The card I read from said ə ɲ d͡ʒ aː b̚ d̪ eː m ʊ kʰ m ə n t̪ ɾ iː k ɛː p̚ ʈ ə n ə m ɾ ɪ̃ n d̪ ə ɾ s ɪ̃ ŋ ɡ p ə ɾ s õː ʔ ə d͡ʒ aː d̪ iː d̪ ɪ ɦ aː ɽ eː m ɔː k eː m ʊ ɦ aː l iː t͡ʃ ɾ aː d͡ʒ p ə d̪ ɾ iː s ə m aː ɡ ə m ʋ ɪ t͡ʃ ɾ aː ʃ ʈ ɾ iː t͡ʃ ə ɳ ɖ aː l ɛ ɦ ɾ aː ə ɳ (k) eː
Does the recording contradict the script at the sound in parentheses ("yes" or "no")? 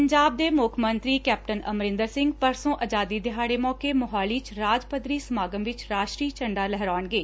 yes